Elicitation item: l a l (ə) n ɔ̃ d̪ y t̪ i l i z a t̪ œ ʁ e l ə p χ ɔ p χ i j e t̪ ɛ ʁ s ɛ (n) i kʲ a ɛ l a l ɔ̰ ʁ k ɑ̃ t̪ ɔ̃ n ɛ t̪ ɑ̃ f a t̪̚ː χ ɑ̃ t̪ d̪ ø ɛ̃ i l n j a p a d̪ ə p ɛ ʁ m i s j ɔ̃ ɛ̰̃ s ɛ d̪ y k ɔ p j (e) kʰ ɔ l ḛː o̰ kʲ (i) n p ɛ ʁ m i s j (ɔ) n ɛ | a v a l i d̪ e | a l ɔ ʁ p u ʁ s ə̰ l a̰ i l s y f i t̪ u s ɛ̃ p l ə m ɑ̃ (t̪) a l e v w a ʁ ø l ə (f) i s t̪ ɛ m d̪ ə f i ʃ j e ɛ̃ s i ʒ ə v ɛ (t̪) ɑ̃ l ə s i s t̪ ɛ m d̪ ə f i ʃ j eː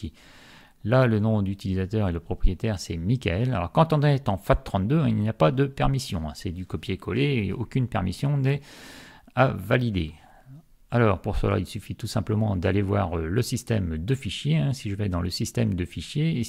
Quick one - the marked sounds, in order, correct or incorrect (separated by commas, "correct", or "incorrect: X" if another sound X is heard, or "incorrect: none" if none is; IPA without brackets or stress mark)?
correct, incorrect: m, correct, incorrect: y, incorrect: ɔ̃, incorrect: d̪, incorrect: s, incorrect: d̪